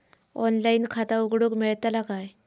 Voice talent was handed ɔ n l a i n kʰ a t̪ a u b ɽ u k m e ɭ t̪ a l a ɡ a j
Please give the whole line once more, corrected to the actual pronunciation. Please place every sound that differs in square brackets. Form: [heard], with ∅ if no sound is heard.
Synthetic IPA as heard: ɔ n l a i n kʰ a t̪ a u [ɡ] ɽ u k m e ɭ t̪ a l a [k] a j